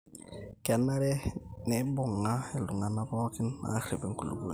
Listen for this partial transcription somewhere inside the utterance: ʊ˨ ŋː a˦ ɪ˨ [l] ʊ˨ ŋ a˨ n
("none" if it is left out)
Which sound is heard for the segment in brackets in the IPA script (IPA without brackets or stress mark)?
l